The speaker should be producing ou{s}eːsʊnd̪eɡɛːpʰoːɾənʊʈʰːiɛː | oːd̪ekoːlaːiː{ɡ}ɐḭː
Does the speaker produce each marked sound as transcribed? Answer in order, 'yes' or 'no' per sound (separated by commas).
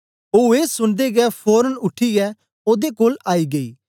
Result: no, yes